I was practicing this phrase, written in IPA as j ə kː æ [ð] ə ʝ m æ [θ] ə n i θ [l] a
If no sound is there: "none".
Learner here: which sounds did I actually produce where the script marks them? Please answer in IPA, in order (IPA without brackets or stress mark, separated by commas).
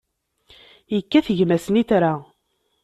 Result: θ, s, ɾ